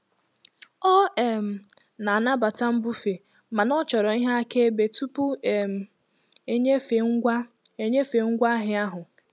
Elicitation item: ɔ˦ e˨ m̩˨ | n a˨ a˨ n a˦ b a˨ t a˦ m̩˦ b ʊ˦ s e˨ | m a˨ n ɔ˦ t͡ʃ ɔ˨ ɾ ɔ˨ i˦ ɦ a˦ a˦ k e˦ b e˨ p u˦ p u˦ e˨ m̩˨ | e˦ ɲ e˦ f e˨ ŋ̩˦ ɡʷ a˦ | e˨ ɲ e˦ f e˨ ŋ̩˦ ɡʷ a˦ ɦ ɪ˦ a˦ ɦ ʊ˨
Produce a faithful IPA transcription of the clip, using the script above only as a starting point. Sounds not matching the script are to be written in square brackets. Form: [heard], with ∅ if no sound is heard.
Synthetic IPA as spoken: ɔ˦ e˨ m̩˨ | n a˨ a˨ n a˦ b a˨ t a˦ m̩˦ b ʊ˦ [f] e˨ | m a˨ n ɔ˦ t͡ʃ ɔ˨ ɾ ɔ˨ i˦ ɦ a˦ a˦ k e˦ b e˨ [t] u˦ p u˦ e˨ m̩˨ | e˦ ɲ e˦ f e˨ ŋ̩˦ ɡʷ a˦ | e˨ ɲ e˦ f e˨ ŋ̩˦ ɡʷ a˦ ɦ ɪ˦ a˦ ɦ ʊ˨